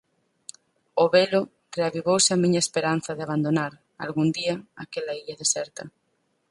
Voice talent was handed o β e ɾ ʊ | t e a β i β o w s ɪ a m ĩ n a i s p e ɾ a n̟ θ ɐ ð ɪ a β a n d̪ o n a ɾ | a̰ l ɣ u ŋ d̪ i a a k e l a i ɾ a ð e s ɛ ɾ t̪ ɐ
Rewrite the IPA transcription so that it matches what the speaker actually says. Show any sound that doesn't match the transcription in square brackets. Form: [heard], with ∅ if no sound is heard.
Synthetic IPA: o β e [l] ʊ | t e a β i β o w s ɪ a m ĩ [ɲ] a [e] s p e ɾ a n̟ θ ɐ ð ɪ a β a n d̪ o n a ɾ | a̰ l ɣ u [n] d̪ i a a k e l a i [ʎ] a ð e s ɛ ɾ t̪ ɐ